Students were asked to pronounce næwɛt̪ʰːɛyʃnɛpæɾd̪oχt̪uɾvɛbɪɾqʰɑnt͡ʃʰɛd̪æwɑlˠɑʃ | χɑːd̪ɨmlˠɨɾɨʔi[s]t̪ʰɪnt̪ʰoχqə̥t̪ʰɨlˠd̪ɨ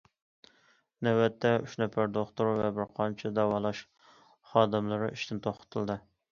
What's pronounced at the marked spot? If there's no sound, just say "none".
ʃ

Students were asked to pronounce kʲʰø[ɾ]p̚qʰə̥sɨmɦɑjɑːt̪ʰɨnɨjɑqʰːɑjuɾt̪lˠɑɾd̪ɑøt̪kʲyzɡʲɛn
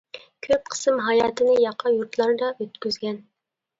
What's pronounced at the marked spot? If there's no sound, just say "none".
none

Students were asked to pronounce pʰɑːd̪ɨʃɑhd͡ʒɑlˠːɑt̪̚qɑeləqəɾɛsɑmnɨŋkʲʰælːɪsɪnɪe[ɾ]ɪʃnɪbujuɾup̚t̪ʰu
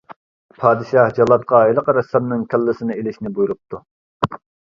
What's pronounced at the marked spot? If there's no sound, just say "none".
l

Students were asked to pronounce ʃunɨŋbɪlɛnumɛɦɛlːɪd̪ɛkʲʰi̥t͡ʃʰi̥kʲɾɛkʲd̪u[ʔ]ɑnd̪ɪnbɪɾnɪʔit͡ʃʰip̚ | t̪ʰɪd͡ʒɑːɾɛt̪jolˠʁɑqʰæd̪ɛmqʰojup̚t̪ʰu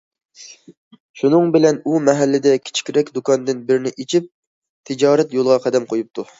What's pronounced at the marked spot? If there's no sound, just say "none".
k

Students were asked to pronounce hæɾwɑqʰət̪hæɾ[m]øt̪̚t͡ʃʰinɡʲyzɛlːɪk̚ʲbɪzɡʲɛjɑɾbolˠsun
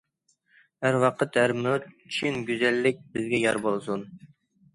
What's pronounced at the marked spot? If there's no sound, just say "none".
m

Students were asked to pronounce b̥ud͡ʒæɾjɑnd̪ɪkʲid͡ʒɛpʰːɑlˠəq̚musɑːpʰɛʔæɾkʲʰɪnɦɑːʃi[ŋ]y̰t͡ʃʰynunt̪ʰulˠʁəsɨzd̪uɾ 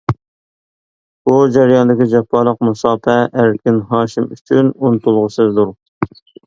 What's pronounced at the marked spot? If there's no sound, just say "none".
m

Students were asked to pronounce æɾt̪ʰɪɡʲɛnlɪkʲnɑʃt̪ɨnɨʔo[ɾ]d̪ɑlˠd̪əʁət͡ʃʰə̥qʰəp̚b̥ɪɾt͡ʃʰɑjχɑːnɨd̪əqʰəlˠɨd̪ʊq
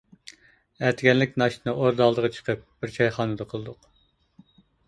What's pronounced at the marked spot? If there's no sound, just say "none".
ɾ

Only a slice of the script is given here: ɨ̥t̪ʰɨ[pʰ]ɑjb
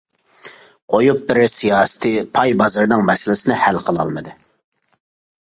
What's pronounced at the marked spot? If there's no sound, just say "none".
pʰ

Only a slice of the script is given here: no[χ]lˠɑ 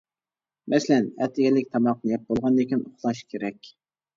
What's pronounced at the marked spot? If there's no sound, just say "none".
χ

